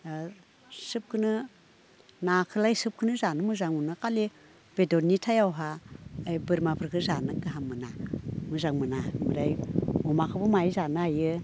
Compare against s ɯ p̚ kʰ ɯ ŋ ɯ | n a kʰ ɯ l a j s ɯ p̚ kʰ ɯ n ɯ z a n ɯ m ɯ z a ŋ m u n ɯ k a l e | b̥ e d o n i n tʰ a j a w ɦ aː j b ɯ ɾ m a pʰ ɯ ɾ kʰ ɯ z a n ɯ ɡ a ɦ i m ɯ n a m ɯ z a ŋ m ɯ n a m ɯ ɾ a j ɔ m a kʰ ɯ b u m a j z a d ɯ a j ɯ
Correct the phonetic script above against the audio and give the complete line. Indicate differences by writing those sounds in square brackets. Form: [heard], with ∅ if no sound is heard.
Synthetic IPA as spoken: s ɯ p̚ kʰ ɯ [n] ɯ | n a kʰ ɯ l a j s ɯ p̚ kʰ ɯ n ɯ z a n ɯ m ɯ z a ŋ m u n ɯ k a l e | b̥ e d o n i [∅] tʰ a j a w ɦ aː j b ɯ ɾ m a pʰ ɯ ɾ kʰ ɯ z a n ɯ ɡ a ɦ [a] m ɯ n a m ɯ z a ŋ m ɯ n a m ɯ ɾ a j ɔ m a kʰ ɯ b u m a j z a [n] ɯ a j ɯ